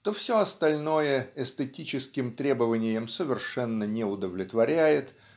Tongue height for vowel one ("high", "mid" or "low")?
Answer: mid